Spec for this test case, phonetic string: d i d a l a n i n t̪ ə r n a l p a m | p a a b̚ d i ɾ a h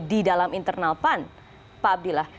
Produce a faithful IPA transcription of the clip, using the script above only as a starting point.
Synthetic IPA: d i d a l a m i n t̪ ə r n a l p a n | p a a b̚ d i l a h